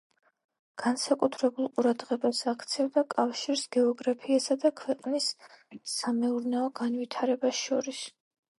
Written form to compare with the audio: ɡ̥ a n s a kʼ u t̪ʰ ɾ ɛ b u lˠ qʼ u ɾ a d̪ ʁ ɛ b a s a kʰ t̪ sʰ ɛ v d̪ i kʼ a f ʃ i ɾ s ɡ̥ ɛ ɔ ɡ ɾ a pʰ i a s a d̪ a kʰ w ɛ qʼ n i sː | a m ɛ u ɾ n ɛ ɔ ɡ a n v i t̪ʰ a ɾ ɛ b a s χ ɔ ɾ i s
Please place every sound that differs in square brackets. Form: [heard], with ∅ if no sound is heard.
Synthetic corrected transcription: ɡ̥ a n s a kʼ u t̪ʰ ɾ ɛ b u lˠ qʼ u ɾ a d̪ ʁ ɛ b a s a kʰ t̪ sʰ ɛ v d̪ [a] kʼ a f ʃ i ɾ s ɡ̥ ɛ ɔ ɡ ɾ a pʰ i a s a d̪ a kʰ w ɛ qʼ n i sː | a m ɛ u ɾ n ɛ ɔ ɡ a n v i t̪ʰ a ɾ ɛ b a s [ʃ] ɔ ɾ i s